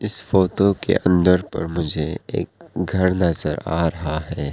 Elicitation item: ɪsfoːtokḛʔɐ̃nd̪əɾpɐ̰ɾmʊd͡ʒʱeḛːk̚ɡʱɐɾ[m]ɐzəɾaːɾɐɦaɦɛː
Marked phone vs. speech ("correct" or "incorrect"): incorrect